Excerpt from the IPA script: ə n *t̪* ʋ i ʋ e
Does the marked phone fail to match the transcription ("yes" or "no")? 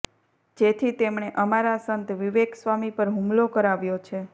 no